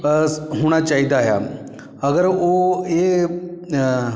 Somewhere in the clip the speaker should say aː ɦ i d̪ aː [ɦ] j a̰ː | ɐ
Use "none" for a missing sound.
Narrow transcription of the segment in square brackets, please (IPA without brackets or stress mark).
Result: ɦ